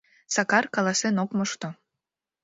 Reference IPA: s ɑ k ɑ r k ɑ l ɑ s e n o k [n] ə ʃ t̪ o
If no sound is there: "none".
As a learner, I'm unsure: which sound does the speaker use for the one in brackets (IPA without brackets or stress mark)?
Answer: m